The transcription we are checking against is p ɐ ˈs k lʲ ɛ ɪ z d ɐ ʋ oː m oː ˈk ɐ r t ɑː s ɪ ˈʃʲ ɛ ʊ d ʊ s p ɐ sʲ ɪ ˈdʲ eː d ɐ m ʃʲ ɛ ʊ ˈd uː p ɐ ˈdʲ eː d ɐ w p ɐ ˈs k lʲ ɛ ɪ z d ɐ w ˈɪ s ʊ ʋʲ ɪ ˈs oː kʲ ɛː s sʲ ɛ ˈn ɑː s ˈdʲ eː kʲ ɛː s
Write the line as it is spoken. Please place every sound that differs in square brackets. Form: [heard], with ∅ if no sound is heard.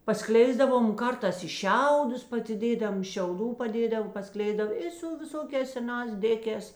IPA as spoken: p ɐ ˈs k lʲ ɛ ɪ z d ɐ ʋ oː m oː ˈk ɐ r t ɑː s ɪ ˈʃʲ ɛ ʊ d ʊ s p ɐ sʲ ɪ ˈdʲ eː d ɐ m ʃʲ ɛ ʊ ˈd uː p ɐ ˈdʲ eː d ɐ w p ɐ ˈs k lʲ ɛ ɪ z d ɐ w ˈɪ s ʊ ʋʲ ɪ ˈs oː kʲ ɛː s sʲ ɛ ˈn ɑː s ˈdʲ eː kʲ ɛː s